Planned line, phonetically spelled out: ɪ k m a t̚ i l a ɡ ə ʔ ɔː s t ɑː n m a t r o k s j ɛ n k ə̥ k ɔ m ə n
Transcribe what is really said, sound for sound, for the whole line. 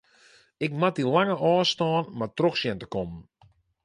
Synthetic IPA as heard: ɪ k m a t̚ i l a ŋ ə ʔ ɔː s t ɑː n m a t r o x s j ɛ n t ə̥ k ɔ m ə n